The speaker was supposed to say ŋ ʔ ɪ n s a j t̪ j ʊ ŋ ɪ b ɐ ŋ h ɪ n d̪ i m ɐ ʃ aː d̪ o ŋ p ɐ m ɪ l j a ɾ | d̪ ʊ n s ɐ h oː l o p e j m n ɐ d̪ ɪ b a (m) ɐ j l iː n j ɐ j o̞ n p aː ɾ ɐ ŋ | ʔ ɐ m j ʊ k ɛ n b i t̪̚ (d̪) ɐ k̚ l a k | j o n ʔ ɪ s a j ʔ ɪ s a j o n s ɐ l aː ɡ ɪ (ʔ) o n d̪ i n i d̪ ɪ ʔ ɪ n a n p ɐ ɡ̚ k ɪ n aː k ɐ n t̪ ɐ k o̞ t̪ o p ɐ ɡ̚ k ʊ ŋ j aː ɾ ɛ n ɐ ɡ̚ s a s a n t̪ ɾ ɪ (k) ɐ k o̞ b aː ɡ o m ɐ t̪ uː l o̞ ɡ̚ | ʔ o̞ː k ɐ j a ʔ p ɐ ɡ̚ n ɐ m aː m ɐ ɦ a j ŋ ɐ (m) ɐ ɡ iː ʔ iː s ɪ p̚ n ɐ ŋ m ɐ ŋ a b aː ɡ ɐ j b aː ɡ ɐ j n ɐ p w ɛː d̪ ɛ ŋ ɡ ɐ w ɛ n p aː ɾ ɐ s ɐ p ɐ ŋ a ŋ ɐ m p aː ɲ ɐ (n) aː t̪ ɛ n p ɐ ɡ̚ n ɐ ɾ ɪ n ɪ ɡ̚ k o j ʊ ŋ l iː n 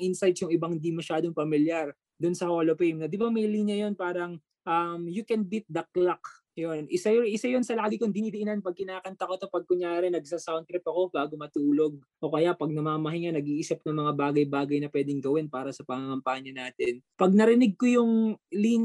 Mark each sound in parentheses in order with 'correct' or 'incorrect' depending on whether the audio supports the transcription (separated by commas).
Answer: correct, correct, incorrect, incorrect, incorrect, correct